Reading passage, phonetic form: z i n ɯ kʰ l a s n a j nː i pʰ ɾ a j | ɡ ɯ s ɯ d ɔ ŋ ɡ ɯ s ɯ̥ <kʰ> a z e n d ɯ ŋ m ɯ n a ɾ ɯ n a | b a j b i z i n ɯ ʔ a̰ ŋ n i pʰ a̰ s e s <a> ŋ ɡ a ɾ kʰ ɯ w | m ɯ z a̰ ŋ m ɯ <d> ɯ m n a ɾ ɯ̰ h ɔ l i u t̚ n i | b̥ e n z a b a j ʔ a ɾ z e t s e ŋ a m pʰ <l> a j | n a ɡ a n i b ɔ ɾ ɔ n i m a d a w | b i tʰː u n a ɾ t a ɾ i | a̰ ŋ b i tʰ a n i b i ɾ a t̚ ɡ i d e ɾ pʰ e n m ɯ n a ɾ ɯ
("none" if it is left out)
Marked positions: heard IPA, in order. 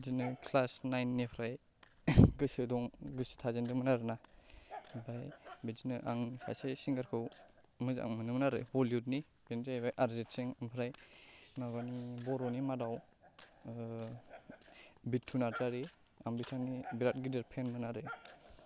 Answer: tʰ, i, n, ɾ

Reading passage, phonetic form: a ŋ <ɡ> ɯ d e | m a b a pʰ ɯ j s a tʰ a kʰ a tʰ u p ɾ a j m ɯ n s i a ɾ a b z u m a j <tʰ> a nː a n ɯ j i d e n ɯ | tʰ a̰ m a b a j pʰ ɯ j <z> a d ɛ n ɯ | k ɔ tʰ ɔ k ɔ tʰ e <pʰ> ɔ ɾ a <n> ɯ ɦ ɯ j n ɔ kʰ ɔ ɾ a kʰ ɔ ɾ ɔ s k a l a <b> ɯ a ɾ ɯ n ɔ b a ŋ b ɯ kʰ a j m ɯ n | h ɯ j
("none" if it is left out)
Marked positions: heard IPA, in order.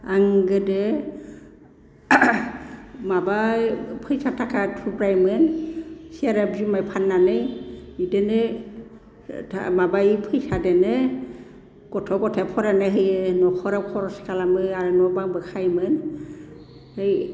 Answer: ɡ, pʰ, s, pʰ, n, m

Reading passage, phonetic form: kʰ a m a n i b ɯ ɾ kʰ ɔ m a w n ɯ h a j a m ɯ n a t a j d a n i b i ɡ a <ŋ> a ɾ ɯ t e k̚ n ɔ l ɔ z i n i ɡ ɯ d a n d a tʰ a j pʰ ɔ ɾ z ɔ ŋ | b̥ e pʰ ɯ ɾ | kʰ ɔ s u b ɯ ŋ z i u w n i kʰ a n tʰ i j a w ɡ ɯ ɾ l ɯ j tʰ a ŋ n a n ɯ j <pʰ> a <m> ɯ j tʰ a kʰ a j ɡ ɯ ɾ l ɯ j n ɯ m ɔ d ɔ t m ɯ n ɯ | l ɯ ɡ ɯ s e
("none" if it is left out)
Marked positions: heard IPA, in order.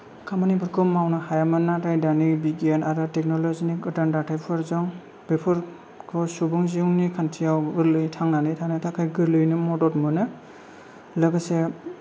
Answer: n, tʰ, n

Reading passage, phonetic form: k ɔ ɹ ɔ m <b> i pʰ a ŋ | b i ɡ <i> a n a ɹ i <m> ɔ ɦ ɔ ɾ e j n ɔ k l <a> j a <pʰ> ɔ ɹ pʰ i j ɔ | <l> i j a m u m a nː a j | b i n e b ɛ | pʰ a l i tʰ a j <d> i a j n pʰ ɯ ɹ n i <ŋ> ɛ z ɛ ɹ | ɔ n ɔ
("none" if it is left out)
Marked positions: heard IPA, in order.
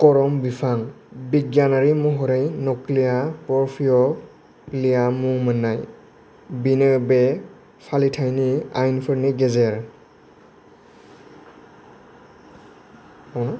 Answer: b, j, m, i, p, l, n, ɡ

